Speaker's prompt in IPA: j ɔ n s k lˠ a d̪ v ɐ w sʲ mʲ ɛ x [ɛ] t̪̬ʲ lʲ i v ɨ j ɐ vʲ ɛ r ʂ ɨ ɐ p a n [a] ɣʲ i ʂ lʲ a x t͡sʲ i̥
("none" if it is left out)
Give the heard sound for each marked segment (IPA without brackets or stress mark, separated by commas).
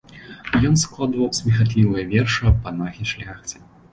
a, a